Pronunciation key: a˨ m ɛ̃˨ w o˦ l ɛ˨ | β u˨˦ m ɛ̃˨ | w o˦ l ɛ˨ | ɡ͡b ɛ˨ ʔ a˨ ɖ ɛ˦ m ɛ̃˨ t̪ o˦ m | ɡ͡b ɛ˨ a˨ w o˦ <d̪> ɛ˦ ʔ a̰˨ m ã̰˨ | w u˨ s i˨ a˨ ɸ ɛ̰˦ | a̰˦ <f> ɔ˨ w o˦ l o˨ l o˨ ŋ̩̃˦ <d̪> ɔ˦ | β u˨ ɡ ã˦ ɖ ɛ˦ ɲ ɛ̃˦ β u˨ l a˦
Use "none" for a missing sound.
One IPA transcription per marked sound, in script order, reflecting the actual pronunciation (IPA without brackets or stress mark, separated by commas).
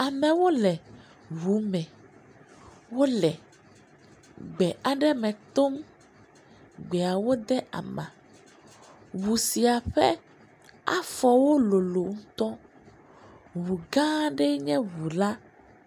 d̪, f, t̪